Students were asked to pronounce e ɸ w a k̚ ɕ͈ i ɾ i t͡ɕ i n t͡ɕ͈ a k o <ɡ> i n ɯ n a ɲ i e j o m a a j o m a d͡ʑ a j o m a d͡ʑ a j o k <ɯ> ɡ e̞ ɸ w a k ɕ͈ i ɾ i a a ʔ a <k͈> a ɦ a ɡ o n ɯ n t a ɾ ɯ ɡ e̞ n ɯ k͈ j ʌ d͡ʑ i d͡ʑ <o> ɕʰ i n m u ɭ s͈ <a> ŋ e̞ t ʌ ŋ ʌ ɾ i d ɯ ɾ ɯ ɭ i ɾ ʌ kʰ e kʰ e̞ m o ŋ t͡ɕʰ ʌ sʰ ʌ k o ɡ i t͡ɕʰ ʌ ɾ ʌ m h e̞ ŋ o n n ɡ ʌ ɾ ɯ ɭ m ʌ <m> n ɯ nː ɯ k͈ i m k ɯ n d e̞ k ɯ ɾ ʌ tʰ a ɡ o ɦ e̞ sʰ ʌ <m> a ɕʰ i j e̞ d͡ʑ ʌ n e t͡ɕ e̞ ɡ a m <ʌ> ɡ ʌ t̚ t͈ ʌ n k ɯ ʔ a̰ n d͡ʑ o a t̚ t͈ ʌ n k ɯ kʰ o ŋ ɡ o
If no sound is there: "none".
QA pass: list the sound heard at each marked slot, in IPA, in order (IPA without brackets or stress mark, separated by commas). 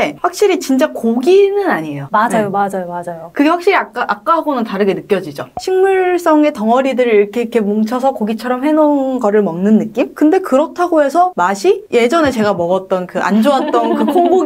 ɡ, ɯ, k͈, o, ʌ, ŋ, m, ʌ